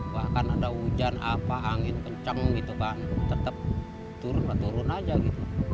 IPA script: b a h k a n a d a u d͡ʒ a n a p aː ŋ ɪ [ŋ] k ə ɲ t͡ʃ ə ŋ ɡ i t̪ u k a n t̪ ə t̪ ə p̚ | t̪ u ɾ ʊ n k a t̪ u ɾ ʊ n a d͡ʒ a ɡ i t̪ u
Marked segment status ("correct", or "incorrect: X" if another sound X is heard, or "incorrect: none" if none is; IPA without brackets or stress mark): incorrect: n